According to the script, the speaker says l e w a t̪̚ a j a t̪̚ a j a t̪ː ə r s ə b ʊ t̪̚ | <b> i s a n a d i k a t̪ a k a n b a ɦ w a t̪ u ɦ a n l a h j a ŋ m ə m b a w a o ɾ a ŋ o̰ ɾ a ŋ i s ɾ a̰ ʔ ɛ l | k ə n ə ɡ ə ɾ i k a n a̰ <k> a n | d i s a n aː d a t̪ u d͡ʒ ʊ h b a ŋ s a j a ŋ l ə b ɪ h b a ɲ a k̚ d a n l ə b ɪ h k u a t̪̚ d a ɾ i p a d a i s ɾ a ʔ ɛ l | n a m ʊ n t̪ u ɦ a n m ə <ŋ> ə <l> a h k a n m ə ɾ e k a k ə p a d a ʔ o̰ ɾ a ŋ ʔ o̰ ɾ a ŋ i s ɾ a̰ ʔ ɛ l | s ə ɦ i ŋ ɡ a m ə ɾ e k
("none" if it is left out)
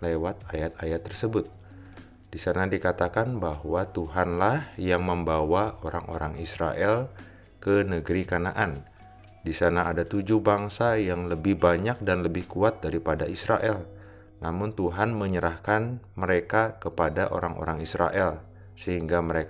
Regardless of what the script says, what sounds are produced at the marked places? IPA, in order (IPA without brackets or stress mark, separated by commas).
d, ʔ, ɲ, ɾ